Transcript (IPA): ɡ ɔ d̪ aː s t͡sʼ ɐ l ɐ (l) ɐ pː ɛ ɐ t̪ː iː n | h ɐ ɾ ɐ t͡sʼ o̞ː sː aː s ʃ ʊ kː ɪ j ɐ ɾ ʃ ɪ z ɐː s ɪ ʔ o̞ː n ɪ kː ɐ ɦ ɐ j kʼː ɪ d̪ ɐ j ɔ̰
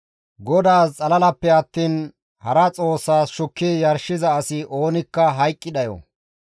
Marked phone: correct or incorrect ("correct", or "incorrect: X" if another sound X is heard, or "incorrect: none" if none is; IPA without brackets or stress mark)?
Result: correct